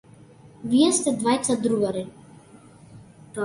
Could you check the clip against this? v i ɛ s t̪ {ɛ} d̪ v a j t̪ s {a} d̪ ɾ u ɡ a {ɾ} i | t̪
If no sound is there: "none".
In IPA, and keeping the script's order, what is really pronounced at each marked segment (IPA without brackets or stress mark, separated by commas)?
ɛ, a, ɾ